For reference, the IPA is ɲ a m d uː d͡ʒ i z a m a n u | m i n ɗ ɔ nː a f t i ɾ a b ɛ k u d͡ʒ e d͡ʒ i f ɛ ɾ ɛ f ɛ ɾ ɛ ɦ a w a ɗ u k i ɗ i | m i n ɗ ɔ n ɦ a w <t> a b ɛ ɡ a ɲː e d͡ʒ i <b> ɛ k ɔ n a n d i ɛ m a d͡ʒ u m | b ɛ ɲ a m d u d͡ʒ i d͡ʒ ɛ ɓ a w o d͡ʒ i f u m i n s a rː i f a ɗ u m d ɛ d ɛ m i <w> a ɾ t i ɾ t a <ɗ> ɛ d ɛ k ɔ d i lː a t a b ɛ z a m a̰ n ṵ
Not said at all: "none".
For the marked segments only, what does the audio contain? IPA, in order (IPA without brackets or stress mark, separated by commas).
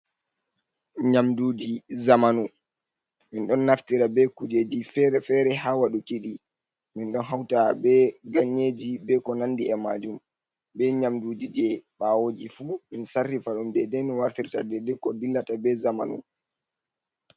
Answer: t, b, w, d